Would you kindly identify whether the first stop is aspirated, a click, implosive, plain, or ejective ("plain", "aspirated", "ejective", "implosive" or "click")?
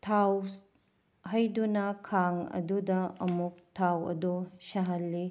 aspirated